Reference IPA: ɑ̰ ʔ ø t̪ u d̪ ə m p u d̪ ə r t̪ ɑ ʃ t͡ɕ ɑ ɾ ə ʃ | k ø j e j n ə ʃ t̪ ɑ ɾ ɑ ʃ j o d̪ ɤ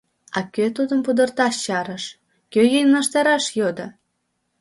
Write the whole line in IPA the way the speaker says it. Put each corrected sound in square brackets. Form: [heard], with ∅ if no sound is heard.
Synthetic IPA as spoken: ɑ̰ [k] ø t̪ u d̪ ə m p u d̪ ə r t̪ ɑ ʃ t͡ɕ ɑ ɾ ə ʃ | k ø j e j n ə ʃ t̪ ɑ ɾ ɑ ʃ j o d̪ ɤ